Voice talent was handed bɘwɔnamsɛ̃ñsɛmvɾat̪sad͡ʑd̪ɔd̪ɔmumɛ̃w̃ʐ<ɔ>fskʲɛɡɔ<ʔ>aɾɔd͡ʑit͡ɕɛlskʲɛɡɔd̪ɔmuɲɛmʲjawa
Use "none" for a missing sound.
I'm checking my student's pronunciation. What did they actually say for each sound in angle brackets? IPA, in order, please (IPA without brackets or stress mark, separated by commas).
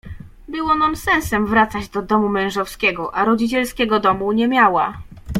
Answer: ɔ, ʔ